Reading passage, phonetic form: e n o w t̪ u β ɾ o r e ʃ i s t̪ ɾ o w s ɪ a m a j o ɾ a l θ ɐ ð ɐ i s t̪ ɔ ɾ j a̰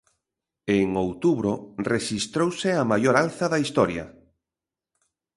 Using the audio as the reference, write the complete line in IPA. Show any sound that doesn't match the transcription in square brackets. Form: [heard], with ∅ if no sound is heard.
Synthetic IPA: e [ŋ] o w t̪ u β ɾ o r e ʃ i s t̪ ɾ o w s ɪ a m a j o ɾ a l θ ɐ ð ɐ i s t̪ ɔ ɾ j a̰